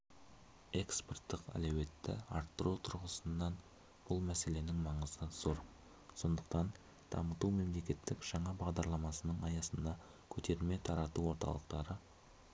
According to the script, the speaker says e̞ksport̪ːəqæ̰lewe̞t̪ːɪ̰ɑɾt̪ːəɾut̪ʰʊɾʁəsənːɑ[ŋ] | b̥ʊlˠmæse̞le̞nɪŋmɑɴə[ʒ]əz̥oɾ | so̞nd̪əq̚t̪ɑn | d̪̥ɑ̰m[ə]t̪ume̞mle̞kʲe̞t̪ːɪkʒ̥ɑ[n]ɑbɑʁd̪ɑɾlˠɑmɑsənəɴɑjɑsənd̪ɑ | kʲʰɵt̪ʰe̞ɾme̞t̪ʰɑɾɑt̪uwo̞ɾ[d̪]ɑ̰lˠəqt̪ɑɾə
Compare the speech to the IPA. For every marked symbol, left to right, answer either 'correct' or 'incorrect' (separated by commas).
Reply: incorrect, incorrect, correct, incorrect, incorrect